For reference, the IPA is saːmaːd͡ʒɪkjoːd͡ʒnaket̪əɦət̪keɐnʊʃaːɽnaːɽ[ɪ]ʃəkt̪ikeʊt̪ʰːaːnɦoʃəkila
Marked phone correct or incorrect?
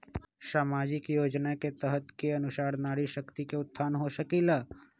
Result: incorrect